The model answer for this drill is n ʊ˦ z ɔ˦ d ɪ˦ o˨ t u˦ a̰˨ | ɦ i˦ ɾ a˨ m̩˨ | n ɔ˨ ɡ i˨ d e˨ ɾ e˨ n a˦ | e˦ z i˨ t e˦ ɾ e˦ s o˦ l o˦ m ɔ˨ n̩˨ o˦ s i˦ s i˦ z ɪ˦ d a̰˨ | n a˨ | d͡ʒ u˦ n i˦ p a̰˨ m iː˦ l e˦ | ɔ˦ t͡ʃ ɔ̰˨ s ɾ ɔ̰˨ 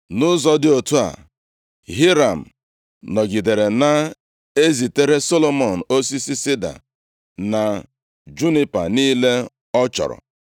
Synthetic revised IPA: n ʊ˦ z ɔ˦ d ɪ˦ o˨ t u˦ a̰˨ | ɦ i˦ ɾ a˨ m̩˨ | n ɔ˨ ɡ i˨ d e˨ ɾ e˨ n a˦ | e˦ z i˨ t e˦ ɾ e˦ s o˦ l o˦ m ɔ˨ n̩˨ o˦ s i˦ s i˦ s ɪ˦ d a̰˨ | n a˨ | d͡ʒ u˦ n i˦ p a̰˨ n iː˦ l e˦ | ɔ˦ t͡ʃ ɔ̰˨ ɾ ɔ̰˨

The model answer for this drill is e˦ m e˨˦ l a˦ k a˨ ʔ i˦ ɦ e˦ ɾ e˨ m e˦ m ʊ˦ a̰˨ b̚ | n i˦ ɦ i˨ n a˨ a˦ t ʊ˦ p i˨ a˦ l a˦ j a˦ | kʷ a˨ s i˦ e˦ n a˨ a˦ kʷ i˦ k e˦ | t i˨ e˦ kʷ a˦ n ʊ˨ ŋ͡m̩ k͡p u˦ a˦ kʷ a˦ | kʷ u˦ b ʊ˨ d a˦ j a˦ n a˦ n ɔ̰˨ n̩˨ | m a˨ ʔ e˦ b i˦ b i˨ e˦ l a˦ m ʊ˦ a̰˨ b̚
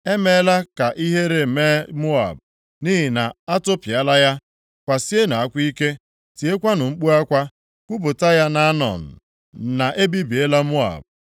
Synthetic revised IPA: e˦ m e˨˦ l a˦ k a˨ ʔ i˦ ɦ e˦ ɾ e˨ m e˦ m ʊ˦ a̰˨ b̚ | n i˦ ɦ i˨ n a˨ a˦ t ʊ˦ p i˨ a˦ l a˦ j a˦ | kʷ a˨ s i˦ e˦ n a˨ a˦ kʷ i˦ k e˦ | t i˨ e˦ kʷ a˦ n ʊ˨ ŋ͡m̩ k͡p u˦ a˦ kʷ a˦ | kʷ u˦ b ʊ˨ t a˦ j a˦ n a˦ n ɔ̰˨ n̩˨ | n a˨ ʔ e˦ b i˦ b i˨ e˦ l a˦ m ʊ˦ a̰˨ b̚

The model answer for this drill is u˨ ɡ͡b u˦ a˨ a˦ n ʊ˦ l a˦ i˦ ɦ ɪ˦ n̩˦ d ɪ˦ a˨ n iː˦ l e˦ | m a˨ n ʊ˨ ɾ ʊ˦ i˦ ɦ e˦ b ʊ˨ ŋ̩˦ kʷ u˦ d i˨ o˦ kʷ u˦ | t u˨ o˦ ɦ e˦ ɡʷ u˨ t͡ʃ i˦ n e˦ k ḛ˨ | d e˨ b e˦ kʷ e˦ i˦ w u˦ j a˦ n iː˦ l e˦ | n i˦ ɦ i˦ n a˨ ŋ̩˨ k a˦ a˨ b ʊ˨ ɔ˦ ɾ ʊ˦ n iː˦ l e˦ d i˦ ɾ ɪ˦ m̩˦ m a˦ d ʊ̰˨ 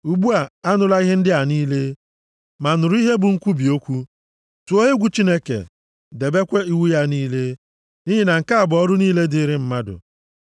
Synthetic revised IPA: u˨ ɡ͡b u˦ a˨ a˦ n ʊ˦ l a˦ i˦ ɦ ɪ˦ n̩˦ d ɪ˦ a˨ n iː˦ l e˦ | m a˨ n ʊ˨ ɾ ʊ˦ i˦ ɦ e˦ b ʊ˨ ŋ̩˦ kʷ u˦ b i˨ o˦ kʷ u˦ | t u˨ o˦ ɦ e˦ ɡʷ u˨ t͡ʃ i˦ n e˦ k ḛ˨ | d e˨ b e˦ kʷ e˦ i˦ w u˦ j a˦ n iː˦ l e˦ | n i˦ ɦ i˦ n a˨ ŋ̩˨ k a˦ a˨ b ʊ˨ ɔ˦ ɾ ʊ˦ n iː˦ l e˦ d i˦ ɾ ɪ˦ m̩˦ m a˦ d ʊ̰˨

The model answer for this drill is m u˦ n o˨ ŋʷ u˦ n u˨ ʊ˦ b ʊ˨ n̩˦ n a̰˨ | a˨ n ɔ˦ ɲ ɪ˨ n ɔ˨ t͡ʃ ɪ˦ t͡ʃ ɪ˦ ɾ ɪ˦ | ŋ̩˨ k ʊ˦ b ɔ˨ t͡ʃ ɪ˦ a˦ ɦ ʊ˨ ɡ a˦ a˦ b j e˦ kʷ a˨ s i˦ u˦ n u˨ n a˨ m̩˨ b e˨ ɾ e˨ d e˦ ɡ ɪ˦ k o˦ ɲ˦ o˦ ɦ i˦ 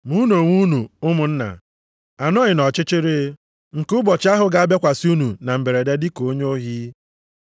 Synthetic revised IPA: m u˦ n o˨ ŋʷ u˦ n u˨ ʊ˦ m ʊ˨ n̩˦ n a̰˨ | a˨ n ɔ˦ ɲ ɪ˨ n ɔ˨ t͡ʃ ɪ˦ t͡ʃ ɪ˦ ɾ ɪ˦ | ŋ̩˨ k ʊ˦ b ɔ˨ t͡ʃ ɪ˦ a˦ ɦ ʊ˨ ɡ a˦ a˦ b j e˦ kʷ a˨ s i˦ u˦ n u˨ n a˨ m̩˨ b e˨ ɾ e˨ d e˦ d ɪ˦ k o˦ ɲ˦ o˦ ɦ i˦

